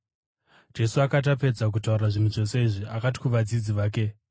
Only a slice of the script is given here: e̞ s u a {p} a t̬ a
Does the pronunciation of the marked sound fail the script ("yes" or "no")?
yes